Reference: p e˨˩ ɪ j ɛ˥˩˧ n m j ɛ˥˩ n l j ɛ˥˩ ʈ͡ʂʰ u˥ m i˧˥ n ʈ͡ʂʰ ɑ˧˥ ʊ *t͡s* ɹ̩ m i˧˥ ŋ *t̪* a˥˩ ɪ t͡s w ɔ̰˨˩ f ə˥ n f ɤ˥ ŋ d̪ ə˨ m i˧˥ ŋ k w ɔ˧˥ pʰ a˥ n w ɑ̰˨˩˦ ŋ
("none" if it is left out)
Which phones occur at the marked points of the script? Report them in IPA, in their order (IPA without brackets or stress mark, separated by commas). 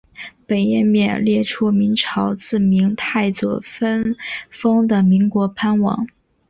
t͡s, t̪ʰ